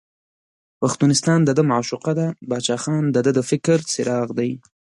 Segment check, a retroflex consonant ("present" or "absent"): absent